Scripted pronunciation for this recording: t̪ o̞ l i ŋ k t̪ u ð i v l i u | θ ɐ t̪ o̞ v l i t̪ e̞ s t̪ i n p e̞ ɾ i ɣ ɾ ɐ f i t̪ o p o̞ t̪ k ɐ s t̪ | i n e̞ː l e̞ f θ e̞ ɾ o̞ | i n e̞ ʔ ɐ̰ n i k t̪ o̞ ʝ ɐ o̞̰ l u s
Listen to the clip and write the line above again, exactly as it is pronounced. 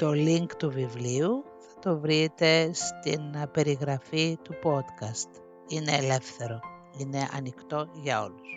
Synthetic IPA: t̪ o̞ l i ŋ k t̪ u v i v l i u | θ ɐ t̪ o̞ v ɾ i t̪ e̞ s t̪ i n p e̞ ɾ i ɣ ɾ ɐ f i t̪ u p o̞ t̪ k ɐ s t̪ | i n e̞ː l e̞ f θ e̞ ɾ o̞ | i n e̞ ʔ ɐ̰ n i k t̪ o̞ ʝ ɐ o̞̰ l u s